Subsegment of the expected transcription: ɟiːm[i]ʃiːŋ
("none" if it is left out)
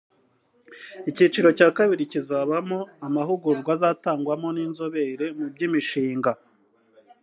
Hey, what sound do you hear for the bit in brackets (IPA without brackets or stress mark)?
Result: i